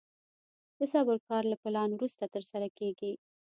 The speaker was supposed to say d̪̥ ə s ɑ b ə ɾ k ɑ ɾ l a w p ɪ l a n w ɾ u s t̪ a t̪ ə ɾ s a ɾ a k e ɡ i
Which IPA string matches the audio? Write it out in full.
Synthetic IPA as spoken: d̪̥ ə s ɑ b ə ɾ k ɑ ɾ l a p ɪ l ɑ n w ɾ u s t̪ a t̪ ə ɾ s a ɾ a k e ɡ i